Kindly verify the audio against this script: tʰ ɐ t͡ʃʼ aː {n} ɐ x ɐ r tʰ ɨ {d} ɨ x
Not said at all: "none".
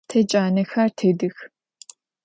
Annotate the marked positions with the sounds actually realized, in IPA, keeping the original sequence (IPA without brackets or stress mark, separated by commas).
n, d